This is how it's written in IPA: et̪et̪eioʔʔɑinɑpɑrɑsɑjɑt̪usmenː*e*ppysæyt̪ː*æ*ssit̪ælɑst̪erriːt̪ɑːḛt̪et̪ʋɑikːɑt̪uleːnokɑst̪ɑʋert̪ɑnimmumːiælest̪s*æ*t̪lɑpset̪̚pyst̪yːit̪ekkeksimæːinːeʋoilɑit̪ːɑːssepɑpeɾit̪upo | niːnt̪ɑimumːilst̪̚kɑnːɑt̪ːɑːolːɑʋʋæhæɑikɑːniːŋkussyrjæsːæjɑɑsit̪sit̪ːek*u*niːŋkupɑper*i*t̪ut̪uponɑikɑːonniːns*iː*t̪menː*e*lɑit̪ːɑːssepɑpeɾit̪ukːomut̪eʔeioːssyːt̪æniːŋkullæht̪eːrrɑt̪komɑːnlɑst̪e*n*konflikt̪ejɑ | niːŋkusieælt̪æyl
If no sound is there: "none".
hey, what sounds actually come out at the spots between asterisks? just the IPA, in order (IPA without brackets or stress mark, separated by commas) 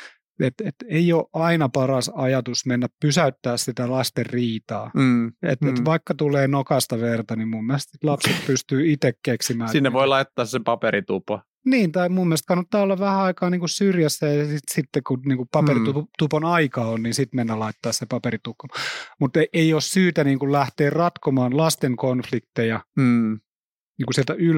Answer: æ, æː, i, u, i, i, æ, ŋ